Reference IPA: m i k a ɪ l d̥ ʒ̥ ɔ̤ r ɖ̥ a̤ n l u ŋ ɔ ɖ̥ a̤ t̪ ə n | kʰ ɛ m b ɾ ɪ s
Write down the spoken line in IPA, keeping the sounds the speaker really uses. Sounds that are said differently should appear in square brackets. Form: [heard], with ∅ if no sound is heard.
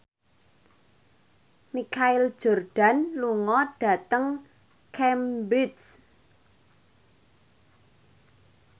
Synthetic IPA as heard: m i k a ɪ l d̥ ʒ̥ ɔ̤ r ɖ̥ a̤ n l u ŋ ɔ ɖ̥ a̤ t̪ ə [ŋ] | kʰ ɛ m b ɾ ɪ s